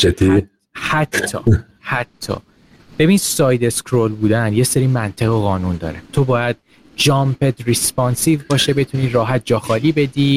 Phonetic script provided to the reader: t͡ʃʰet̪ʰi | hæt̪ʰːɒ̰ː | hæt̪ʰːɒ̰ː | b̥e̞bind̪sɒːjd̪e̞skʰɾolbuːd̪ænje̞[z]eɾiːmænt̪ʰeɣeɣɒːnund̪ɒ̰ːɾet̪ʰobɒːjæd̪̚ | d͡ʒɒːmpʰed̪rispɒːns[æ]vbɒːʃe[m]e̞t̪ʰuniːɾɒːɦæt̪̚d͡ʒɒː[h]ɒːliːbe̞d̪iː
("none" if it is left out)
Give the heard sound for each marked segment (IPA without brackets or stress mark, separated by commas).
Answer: s, i, b, x